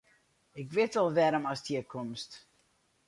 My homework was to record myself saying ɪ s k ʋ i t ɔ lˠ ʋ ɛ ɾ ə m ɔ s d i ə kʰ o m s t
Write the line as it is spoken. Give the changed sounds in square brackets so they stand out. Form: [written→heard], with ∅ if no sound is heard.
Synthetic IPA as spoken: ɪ [s→∅] k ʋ [i→ɪ] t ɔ lˠ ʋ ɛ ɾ ə m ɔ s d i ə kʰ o m s t